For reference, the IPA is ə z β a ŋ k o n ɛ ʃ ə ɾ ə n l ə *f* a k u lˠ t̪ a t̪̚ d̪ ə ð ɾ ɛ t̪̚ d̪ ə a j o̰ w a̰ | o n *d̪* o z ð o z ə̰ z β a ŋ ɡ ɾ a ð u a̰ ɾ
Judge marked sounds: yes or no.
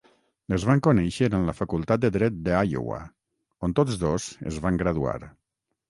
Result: yes, no

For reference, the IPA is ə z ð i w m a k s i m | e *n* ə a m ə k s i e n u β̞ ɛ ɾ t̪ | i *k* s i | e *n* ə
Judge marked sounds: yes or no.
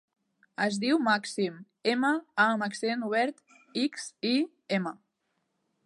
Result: no, yes, no

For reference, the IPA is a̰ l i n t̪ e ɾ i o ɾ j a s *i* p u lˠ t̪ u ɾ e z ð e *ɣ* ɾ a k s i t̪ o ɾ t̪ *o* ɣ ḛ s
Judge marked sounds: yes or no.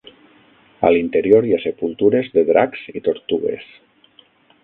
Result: no, no, no

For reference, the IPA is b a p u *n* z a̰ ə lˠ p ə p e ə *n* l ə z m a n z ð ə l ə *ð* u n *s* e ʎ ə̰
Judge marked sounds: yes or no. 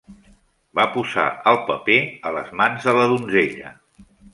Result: no, no, yes, no

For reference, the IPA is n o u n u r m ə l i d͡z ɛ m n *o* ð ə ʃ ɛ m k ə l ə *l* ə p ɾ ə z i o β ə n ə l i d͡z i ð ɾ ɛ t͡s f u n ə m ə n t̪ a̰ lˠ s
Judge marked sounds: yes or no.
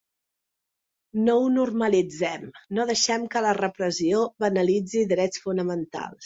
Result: yes, no

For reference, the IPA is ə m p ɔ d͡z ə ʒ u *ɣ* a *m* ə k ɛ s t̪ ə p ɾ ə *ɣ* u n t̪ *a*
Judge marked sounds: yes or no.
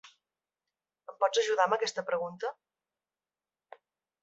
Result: no, yes, yes, no

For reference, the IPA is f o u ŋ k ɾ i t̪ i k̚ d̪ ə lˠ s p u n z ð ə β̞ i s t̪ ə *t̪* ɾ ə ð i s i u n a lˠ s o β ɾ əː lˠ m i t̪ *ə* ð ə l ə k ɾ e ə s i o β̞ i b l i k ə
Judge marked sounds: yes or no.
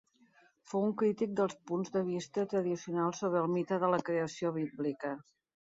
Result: yes, yes

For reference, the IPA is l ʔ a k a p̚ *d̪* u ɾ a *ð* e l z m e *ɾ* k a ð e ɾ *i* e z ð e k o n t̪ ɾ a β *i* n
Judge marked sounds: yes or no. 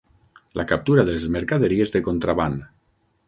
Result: no, yes, yes, yes, no

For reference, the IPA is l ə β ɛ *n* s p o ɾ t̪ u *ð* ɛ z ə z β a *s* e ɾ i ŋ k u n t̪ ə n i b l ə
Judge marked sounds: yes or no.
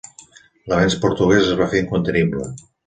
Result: yes, no, no

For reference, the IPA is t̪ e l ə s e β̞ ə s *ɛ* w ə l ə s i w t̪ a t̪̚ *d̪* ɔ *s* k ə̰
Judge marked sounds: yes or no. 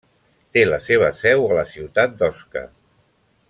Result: yes, yes, yes

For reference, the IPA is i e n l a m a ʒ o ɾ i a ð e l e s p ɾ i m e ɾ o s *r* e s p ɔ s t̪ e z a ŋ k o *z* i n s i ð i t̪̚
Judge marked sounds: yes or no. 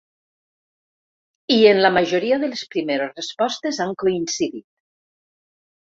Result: yes, no

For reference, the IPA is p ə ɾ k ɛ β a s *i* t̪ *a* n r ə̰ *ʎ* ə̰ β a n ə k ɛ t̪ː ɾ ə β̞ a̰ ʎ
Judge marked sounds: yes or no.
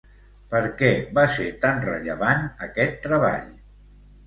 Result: no, yes, yes

